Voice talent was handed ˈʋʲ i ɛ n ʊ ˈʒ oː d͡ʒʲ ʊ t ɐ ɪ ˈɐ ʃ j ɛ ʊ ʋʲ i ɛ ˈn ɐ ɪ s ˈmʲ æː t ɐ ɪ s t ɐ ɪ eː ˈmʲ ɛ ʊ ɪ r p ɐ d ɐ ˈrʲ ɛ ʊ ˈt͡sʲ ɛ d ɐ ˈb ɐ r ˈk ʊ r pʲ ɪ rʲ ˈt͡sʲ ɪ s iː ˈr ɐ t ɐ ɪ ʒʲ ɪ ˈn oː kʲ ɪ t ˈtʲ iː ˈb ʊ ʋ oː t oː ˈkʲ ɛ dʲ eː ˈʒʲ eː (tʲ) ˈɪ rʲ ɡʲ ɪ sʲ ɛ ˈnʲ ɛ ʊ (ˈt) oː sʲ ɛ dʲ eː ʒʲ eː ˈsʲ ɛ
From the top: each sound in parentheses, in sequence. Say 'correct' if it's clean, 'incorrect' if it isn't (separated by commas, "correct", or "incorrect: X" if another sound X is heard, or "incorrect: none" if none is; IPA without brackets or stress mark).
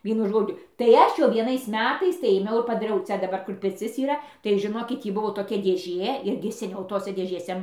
incorrect: none, correct